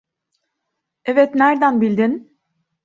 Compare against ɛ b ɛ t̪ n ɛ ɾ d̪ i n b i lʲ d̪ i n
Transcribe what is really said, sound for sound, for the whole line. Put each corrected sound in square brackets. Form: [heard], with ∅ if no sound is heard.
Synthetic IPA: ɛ [v] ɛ t̪ n [æ] ɾ d̪ [æ] n b i lʲ d̪ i n

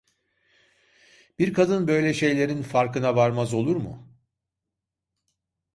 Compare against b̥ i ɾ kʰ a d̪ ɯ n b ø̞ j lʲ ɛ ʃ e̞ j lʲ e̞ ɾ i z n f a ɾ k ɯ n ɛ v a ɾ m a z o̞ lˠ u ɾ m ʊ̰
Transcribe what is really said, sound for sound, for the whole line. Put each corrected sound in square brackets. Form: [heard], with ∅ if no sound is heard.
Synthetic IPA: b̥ i ɾ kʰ a d̪ ɯ n b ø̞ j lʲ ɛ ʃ e̞ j lʲ e̞ ɾ i [∅] n f a ɾ k ɯ n [a] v a ɾ m a z o̞ lˠ u ɾ m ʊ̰

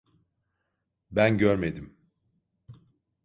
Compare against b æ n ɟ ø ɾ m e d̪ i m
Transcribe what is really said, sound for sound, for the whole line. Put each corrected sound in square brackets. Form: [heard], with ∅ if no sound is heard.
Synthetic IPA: b æ n ɟ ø ɾ m e d̪ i m

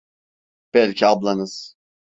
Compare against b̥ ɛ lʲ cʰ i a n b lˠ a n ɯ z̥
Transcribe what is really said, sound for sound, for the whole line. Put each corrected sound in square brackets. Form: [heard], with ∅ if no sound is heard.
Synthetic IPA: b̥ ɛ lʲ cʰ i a [∅] b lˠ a n ɯ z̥

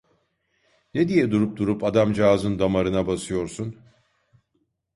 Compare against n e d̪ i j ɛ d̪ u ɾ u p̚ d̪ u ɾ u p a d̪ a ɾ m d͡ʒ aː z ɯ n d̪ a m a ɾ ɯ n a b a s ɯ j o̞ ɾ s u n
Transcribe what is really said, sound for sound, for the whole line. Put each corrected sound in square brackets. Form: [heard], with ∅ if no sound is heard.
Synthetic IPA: n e d̪ i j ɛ d̪ u ɾ u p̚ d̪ u ɾ u p a d̪ a [∅] m d͡ʒ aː z ɯ n d̪ a m a ɾ ɯ n a b a s ɯ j o̞ ɾ s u n

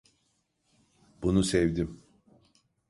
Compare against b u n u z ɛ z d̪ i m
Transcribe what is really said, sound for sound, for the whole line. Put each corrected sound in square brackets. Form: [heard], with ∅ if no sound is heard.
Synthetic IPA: b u n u [s] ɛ [v] d̪ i m

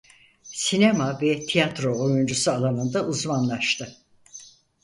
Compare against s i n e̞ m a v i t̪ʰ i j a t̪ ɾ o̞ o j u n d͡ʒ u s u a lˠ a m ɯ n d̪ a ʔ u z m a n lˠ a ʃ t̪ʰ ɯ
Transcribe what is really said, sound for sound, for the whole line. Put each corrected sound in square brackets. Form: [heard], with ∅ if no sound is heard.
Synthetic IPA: s i n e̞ m a v [ɛ] t̪ʰ i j a t̪ ɾ o̞ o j u n d͡ʒ u s u a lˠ a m ɯ n d̪ a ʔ u z m a n lˠ a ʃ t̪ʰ ɯ

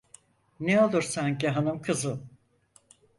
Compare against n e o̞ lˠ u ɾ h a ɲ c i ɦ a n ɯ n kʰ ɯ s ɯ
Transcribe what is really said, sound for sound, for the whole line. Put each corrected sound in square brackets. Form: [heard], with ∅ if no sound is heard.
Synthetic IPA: n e o̞ lˠ u ɾ [s] a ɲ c i ɦ a n ɯ [m] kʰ ɯ [z] ɯ

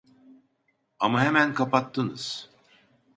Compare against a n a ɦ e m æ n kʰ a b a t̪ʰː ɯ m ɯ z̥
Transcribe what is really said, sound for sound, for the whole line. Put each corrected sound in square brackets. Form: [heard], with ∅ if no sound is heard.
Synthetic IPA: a [m] a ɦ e m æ n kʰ a [p] a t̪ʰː ɯ [n] ɯ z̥

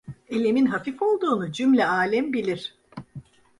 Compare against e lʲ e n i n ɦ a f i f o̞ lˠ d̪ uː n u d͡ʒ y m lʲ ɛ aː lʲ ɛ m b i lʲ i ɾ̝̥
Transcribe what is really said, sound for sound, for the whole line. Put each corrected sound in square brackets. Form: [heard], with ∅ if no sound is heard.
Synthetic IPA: e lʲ e [m] i n ɦ a f i f o̞ lˠ d̪ uː n u d͡ʒ y m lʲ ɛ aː lʲ ɛ m b i lʲ i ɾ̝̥

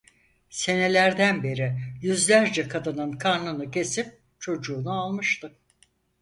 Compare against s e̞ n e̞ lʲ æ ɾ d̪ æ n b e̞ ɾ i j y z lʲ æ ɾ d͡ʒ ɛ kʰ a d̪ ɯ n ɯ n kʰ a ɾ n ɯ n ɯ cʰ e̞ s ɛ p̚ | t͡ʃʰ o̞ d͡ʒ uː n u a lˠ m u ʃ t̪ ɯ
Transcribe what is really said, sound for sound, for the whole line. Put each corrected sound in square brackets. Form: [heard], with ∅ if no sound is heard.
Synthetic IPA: s e̞ n e̞ lʲ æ ɾ d̪ æ n b e̞ ɾ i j y z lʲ æ ɾ d͡ʒ ɛ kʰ a d̪ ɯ n ɯ n kʰ a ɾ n ɯ n ɯ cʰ e̞ s [i] p̚ | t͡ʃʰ o̞ d͡ʒ uː n u a lˠ m [ɯ] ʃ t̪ ɯ

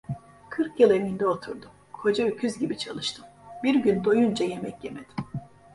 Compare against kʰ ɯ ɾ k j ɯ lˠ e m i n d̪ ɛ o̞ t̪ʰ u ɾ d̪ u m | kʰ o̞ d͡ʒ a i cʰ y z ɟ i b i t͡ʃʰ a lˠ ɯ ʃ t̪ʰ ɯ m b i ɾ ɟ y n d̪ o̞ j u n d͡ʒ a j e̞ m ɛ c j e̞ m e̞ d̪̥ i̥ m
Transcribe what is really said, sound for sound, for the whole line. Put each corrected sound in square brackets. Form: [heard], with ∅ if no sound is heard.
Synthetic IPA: kʰ ɯ ɾ k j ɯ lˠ e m i n d̪ ɛ o̞ t̪ʰ u ɾ d̪ u m | kʰ o̞ d͡ʒ a [y] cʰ y z ɟ i b i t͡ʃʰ a lˠ ɯ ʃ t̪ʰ ɯ m b i ɾ ɟ y n d̪ o̞ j u n d͡ʒ a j e̞ m ɛ c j e̞ m e̞ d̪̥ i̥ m

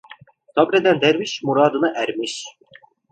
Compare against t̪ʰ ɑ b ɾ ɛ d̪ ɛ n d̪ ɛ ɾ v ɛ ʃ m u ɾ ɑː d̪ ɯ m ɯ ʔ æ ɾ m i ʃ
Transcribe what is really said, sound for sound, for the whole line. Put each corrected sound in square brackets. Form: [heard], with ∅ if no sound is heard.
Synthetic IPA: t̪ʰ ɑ b ɾ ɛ d̪ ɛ n d̪ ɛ ɾ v [i] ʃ m u ɾ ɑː d̪ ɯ [n] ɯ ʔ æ ɾ m i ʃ

